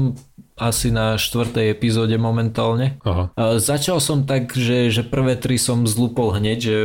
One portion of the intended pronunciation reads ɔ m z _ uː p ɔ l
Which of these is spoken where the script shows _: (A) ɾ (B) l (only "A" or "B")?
B